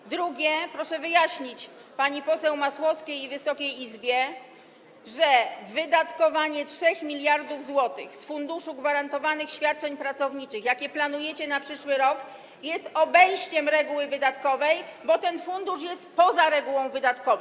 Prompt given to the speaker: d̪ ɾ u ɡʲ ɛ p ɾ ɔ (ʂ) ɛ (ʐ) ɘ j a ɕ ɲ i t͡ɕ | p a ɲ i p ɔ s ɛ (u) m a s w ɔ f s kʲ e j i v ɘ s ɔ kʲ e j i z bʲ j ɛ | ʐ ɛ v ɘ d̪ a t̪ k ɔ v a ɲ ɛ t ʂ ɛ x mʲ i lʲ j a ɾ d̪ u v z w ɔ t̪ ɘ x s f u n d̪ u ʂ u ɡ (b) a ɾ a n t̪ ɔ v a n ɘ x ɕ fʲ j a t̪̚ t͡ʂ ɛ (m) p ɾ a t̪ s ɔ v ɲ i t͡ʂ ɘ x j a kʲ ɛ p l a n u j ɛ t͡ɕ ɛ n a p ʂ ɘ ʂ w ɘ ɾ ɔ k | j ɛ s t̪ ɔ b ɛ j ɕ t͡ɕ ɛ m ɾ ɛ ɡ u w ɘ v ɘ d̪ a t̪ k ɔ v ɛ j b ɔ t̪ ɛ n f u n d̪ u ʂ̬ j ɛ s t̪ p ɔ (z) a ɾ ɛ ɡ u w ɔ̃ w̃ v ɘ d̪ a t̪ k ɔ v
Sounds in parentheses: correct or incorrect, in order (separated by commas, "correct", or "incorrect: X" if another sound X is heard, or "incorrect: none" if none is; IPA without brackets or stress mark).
correct, incorrect: v, incorrect: w, incorrect: v, incorrect: ɲ, correct